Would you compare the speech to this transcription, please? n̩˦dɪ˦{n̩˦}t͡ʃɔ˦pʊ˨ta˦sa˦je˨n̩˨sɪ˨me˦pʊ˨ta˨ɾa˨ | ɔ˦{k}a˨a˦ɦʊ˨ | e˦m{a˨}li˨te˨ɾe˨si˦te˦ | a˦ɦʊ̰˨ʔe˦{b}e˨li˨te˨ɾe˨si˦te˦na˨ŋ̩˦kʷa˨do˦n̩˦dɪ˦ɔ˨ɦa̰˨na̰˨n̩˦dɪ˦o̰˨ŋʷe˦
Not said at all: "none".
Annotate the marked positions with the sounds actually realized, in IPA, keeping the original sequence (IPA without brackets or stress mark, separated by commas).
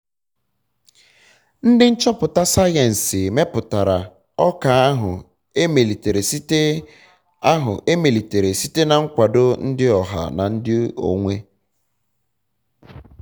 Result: n̩˦, k, e˨, m